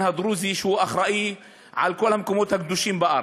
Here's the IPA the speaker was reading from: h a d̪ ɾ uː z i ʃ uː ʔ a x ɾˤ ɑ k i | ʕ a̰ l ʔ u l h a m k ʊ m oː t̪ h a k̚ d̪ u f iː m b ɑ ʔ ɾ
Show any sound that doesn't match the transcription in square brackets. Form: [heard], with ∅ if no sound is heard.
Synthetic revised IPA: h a d̪ ɾ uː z i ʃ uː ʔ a x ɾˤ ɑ [ʔ] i | ʕ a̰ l [k] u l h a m k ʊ m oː t̪ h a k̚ d̪ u [ʃ] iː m b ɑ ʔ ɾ